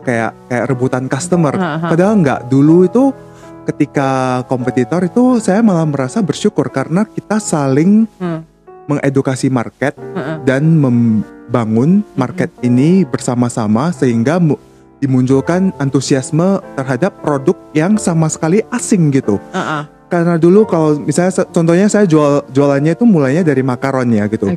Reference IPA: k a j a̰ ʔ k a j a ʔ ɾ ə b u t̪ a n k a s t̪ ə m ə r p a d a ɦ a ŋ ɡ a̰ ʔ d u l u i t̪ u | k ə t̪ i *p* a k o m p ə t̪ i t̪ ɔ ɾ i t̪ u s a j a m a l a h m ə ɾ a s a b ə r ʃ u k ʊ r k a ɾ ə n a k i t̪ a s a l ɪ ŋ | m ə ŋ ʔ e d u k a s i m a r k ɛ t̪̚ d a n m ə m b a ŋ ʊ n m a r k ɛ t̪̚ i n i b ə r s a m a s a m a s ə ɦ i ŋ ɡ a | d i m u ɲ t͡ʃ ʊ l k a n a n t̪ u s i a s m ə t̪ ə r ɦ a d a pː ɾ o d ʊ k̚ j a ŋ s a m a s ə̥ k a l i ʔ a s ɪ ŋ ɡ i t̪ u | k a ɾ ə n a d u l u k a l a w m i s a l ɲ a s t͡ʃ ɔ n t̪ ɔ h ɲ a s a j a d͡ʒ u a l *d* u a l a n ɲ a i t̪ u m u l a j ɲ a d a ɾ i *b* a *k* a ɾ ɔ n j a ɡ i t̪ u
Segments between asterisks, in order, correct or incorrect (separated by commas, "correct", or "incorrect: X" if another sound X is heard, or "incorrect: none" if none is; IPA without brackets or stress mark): incorrect: k, incorrect: d͡ʒ, incorrect: m, correct